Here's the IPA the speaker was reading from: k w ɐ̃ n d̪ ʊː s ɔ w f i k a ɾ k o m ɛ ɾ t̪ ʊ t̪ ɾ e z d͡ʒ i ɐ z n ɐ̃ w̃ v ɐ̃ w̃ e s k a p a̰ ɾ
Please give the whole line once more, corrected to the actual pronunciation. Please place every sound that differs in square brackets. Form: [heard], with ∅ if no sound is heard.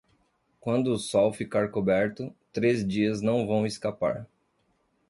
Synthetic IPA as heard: k w ɐ̃ n d̪ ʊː s ɔ w f i k a ɾ k o [b] ɛ ɾ t̪ ʊ t̪ ɾ e z d͡ʒ i ɐ z n ɐ̃ w̃ v ɐ̃ w̃ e s k a p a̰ ɾ